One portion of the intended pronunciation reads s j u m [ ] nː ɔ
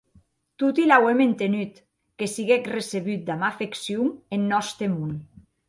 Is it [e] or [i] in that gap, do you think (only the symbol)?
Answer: e